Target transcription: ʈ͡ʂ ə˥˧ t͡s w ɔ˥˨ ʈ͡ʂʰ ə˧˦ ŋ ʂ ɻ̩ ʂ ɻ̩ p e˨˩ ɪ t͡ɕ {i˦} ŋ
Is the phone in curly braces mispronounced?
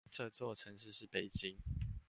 no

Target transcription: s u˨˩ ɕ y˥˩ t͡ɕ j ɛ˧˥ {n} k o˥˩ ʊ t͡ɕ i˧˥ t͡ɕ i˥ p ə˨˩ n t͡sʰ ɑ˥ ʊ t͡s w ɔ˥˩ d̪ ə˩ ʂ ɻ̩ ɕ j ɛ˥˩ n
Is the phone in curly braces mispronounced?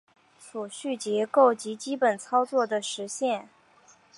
yes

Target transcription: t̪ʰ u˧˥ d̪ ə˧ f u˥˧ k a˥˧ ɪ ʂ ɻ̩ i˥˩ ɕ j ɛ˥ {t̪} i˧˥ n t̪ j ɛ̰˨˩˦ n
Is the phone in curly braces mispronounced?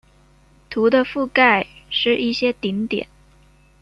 no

